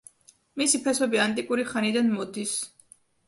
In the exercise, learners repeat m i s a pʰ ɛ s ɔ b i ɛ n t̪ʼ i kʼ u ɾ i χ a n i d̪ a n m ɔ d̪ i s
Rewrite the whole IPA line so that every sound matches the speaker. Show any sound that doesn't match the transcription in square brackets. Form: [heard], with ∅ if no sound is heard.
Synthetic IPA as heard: m i s [i] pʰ ɛ s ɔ b i [a] n t̪ʼ i kʼ u ɾ i χ a n i d̪ a n m ɔ d̪ i s